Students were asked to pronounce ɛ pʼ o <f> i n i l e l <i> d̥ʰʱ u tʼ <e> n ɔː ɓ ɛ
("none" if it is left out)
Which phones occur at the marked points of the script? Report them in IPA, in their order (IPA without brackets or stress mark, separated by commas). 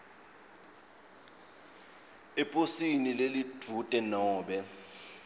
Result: s, i, ɛ